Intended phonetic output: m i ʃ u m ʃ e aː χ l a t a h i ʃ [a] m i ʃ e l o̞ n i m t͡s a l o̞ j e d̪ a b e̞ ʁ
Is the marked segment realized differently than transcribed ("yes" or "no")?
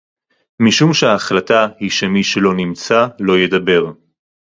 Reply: yes